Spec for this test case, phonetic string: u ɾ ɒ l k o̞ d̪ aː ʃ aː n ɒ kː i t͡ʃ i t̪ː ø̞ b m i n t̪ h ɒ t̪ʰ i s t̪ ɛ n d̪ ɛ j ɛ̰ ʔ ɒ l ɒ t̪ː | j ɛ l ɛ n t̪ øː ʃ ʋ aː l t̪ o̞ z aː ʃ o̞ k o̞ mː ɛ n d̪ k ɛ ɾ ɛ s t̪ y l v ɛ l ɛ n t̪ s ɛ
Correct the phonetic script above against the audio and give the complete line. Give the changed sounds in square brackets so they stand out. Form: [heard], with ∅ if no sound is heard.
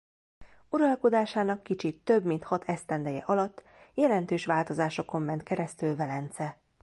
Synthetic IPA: u ɾ ɒ l k o̞ d̪ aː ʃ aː n ɒ kː i t͡ʃ i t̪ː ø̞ b m i n t̪ h ɒ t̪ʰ [ɛ] s t̪ ɛ n d̪ ɛ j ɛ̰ ʔ ɒ l ɒ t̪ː | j ɛ l ɛ n t̪ øː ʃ ʋ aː l t̪ o̞ z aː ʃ o̞ k o̞ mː ɛ n [t̪] k ɛ ɾ ɛ s t̪ y l v ɛ l ɛ n t̪ s ɛ